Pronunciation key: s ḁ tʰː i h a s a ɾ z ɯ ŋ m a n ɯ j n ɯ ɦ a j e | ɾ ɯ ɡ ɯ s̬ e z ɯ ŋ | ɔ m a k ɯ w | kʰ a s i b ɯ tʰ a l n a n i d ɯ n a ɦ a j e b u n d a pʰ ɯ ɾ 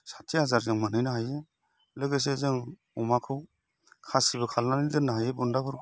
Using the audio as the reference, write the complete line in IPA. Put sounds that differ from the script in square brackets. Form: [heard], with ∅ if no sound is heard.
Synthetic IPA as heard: s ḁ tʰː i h a [z] a ɾ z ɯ ŋ m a n ɯ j n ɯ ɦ a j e | [l] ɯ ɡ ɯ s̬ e z ɯ ŋ | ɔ m a [kʰ] ɯ w | kʰ a s i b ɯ [kʰ] a l n a n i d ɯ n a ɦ a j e b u n d a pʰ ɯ ɾ